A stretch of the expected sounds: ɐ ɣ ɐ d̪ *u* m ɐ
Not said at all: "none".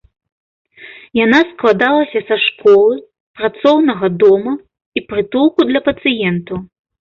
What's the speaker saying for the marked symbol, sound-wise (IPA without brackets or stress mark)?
ɔ